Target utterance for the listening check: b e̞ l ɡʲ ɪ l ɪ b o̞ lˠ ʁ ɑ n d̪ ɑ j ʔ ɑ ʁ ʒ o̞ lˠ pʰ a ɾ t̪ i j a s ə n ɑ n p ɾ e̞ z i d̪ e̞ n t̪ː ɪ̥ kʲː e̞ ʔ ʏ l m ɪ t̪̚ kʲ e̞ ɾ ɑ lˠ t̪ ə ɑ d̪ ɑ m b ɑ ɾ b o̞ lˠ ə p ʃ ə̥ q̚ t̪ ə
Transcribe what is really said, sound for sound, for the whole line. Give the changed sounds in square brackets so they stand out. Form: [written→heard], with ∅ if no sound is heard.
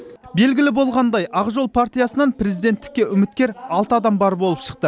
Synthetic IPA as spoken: b e̞ l ɡʲ ɪ l ɪ b o̞ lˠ ʁ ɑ n d̪ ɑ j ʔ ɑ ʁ ʒ o̞ lˠ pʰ a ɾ t̪ i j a s ə n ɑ n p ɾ e̞ z i d̪ e̞ n t̪ː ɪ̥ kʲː e̞ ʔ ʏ [l→∅] m ɪ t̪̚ kʲ e̞ ɾ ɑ lˠ t̪ ə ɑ d̪ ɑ m b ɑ ɾ b o̞ lˠ ə p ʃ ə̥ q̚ t̪ ə